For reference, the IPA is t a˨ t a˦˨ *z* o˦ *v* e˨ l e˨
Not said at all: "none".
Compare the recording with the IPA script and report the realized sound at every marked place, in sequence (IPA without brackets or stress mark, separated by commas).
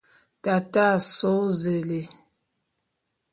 s, z